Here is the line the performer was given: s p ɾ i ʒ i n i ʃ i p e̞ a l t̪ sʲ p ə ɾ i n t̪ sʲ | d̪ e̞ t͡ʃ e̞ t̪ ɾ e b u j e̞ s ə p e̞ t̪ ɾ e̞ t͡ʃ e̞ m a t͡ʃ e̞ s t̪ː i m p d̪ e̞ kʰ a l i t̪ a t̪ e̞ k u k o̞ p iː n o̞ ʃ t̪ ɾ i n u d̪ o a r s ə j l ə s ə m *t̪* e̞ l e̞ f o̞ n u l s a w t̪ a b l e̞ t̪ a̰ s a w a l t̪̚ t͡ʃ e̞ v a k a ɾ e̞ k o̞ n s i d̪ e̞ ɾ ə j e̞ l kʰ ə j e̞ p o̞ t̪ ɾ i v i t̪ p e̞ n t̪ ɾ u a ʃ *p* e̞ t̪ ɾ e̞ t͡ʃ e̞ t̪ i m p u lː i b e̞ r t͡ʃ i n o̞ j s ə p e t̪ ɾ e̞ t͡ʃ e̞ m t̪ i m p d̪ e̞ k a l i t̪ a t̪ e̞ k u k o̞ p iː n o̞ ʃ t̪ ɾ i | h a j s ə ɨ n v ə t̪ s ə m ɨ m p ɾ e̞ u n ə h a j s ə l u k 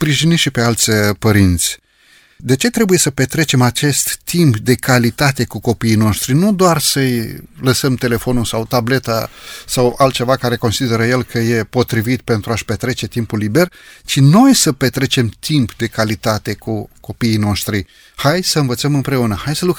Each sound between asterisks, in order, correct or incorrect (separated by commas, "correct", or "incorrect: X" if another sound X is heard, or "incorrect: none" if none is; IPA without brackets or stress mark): correct, correct